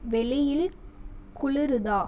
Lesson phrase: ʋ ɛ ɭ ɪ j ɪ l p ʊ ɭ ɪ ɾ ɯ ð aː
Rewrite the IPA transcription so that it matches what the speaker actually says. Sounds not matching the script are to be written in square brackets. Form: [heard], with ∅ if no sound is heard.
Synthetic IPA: ʋ ɛ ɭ ɪ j ɪ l [k] ʊ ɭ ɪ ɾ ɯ ð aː